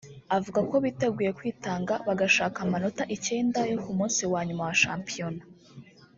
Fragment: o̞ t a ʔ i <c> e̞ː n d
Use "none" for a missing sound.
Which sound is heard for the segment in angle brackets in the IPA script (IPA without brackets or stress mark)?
c